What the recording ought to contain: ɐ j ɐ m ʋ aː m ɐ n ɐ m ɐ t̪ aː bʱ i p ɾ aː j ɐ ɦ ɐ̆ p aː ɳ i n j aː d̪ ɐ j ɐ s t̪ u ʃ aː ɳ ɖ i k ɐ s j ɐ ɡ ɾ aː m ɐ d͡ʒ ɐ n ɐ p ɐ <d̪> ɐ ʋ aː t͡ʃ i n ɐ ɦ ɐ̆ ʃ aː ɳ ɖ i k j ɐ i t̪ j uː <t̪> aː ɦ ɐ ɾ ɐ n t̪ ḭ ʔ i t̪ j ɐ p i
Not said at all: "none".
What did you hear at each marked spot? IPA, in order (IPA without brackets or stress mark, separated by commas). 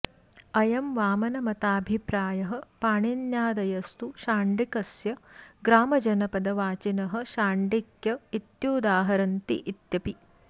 d̪, d̪